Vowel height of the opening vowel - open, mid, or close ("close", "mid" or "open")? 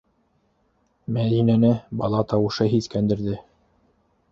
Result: open